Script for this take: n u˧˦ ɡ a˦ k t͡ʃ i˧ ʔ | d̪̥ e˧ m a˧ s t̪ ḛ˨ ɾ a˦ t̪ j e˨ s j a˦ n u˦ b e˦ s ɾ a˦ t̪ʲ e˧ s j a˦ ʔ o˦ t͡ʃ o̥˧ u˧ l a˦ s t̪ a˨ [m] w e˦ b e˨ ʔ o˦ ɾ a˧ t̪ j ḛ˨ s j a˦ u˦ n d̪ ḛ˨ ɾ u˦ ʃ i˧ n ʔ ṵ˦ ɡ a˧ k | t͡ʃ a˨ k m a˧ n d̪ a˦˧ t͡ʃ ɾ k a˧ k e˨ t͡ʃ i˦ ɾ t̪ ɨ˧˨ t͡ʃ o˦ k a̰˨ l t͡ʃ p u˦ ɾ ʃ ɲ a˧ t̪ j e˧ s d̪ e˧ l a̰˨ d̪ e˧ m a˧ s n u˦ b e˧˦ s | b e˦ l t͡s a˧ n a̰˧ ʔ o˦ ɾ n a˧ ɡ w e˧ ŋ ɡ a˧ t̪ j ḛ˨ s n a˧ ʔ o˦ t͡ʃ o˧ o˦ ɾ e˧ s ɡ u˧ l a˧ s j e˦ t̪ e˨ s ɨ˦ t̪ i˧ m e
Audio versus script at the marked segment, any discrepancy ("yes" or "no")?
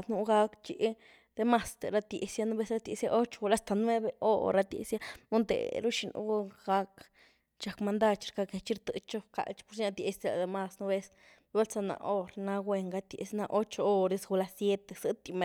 yes